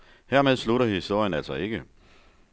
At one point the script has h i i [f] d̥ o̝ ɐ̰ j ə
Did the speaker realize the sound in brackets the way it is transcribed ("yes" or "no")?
no